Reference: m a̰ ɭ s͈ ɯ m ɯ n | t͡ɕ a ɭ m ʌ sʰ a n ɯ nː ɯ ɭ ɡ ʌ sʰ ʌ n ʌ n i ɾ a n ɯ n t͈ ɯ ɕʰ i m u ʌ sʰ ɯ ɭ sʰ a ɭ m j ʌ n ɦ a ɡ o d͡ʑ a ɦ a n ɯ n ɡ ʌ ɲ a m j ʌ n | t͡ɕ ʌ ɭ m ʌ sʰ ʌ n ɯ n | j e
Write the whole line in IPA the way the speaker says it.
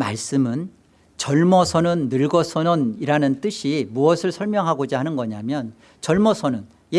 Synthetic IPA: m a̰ ɭ s͈ ɯ m ɯ n | t͡ɕ ʌ ɭ m ʌ sʰ ʌ n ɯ nː ɯ ɭ ɡ ʌ sʰ ʌ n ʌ n i ɾ a n ɯ n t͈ ɯ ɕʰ i m u ʌ sʰ ɯ ɭ sʰ ʌ ɭ m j ʌ ŋ ɦ a ɡ o d͡ʑ a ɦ a n ɯ n ɡ ʌ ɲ a m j ʌ n | t͡ɕ ʌ ɭ m ʌ sʰ ʌ n ɯ n | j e